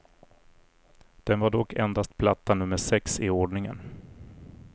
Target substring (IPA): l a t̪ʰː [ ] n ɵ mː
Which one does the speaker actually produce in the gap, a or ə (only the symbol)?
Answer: a